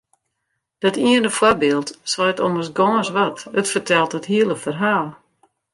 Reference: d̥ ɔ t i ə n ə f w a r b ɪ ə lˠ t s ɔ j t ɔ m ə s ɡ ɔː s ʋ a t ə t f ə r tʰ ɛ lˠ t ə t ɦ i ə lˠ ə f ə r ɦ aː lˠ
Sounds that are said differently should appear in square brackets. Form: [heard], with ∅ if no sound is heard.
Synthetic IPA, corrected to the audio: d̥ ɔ t i ə n ə f w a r b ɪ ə lˠ t s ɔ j t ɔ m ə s ɡ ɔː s ʋ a t ə t f ə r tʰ ɛ lˠ t ə t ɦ i ə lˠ ə f ə r ɦ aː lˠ